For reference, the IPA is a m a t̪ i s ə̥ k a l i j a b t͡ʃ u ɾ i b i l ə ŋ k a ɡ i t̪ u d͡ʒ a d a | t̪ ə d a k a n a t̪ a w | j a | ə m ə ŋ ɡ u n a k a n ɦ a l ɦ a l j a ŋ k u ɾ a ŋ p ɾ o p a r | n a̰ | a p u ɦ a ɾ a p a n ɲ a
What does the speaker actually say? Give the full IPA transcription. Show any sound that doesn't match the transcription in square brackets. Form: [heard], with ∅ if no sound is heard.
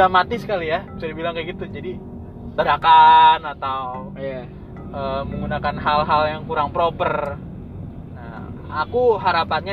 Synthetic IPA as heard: a m a t̪ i s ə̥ k a l i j a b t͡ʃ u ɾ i b i l [a] ŋ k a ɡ i t̪ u d͡ʒ a d [i] | t̪ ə d a k a n a t̪ a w | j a | ə m ə ŋ ɡ u n a k a n ɦ a l ɦ a l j a ŋ k u ɾ a ŋ p ɾ o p [ə] r | n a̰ | a [k] u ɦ a ɾ a p a n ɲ a